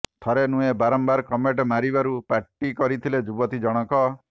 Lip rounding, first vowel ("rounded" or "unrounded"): rounded